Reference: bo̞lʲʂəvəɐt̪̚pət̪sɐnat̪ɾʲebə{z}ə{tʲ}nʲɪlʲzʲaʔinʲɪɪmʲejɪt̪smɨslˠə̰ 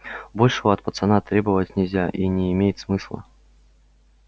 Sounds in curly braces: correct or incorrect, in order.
incorrect, correct

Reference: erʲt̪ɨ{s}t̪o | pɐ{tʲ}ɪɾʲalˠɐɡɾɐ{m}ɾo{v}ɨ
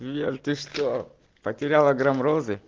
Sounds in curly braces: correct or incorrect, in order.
incorrect, correct, correct, incorrect

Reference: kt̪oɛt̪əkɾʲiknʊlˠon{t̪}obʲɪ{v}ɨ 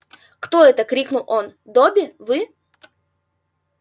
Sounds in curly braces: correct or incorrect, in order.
incorrect, correct

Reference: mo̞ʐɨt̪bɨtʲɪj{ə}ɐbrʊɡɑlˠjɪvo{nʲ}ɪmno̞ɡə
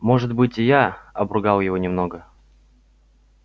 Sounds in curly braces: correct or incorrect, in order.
incorrect, correct

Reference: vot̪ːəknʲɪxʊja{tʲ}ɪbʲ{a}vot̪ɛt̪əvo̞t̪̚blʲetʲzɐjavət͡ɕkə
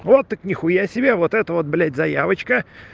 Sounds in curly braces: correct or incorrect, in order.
incorrect, incorrect

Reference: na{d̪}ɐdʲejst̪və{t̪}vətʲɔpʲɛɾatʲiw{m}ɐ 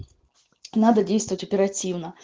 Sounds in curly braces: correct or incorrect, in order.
correct, incorrect, incorrect

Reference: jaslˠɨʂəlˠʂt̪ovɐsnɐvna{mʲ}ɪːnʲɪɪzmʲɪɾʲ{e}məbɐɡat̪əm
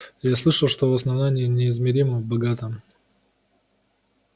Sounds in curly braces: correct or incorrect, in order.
incorrect, incorrect

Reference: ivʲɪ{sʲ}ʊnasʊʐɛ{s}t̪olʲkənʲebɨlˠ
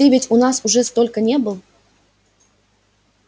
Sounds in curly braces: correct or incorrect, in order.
incorrect, correct

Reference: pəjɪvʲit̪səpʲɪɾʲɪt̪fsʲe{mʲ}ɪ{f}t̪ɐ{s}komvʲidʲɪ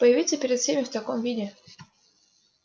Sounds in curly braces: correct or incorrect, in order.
correct, correct, incorrect

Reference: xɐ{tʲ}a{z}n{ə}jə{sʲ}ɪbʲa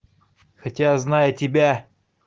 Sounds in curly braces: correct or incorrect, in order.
correct, correct, incorrect, incorrect

